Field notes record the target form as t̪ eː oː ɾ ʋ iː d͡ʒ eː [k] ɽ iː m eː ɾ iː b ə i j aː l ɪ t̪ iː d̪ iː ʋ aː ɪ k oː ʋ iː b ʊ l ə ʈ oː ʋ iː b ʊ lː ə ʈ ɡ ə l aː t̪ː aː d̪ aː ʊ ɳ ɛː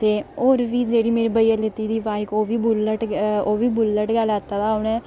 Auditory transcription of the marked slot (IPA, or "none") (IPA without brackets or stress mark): none